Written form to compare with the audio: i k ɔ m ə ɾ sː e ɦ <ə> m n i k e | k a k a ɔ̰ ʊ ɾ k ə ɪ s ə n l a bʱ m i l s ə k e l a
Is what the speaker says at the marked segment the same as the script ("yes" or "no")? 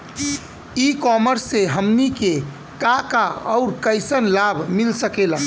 yes